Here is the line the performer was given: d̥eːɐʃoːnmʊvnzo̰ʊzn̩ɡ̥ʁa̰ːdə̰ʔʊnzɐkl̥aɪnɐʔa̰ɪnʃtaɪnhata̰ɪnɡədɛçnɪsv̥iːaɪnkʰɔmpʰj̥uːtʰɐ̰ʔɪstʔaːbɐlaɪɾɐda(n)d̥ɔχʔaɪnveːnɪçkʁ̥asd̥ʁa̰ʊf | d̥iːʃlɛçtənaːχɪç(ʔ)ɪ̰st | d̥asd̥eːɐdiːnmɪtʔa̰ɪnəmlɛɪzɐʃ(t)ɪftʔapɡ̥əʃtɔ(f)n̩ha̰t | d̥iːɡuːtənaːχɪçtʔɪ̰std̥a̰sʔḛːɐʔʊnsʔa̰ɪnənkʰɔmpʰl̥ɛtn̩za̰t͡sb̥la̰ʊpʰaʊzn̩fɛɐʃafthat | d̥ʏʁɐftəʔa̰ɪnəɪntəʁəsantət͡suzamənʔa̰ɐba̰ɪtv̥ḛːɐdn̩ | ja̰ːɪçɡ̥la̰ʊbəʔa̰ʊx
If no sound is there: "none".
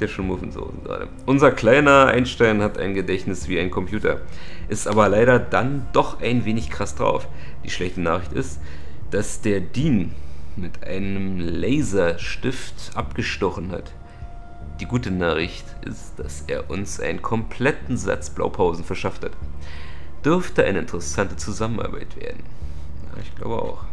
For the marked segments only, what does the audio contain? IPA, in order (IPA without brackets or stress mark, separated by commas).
n, t, t, χ